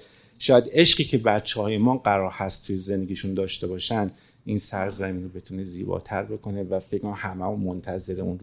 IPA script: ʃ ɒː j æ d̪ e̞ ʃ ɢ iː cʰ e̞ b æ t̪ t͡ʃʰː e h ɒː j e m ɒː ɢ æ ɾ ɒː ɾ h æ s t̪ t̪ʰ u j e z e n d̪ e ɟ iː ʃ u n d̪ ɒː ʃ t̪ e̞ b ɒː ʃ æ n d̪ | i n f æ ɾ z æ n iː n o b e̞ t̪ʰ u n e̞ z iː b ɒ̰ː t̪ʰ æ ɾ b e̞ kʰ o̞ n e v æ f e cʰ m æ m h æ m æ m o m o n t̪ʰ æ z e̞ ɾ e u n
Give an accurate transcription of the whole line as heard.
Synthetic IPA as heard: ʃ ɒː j æ d̪ e̞ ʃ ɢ iː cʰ e̞ b æ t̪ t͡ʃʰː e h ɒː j e m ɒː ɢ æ ɾ ɒː ɾ h æ s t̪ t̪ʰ u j e z e n d̪ e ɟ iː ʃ u n d̪ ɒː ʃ t̪ e̞ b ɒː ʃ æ n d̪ | i n s æ ɾ z æ m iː n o b e̞ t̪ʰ u n e̞ z iː b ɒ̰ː t̪ʰ æ ɾ b e̞ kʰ o̞ n e v æ f e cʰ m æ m h æ m æ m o m o n t̪ʰ æ z e̞ ɾ e u n